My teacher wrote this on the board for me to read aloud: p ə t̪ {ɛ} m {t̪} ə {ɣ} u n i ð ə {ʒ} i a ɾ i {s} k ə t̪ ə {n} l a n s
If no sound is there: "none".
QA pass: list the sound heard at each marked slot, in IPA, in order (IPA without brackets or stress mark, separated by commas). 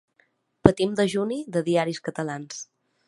i, d̪, ʒ, ð, s, none